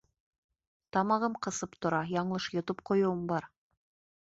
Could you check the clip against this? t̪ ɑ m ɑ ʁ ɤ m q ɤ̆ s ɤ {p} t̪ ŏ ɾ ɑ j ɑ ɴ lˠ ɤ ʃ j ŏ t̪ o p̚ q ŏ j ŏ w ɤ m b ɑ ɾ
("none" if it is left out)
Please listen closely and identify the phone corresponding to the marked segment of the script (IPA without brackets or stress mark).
p